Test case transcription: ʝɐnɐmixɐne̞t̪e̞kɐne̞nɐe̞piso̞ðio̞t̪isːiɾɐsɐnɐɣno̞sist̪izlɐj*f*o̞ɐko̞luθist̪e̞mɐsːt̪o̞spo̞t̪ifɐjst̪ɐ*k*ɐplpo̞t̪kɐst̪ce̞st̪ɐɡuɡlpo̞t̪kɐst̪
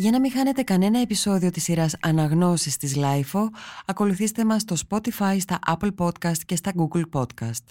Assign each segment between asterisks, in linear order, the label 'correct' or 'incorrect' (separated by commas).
correct, incorrect